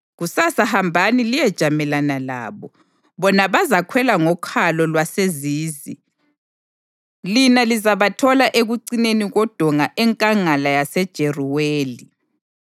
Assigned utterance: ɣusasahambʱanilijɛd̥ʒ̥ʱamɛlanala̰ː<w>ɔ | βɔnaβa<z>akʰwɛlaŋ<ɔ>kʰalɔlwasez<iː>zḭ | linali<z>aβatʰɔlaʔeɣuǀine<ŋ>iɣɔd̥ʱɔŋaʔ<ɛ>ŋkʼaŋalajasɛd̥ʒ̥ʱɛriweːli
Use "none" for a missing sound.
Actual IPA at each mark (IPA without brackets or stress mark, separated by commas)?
β, z, ɔ, iː, z, n, ɛ